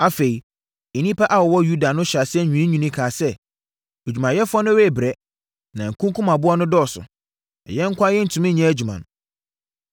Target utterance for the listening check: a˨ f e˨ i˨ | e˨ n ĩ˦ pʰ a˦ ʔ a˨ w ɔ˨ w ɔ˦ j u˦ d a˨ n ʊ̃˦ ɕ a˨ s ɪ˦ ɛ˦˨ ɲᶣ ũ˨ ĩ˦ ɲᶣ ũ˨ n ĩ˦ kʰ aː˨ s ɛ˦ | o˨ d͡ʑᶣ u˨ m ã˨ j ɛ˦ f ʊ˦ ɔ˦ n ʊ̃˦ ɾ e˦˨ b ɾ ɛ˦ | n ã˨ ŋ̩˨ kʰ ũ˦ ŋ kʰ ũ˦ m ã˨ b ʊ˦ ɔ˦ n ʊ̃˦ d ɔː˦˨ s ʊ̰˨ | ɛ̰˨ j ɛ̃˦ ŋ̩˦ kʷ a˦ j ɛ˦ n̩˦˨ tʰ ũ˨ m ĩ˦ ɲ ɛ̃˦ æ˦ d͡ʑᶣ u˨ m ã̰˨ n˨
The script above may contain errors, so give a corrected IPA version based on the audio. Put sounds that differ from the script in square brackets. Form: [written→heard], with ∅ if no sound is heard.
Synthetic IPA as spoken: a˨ f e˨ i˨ | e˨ n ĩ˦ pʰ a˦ ʔ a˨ w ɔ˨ w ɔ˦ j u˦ d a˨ n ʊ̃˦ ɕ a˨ s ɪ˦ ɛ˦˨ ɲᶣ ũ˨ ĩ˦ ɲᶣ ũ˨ n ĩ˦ kʰ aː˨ s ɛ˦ | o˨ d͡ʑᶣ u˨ m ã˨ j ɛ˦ f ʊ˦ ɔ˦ n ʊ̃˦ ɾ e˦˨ b ɾ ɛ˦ | n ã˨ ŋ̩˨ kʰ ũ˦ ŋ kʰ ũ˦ m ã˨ b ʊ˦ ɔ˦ n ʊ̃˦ d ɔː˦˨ s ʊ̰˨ | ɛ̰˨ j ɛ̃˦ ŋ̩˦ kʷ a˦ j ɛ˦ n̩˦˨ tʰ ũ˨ m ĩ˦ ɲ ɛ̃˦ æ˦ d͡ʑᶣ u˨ m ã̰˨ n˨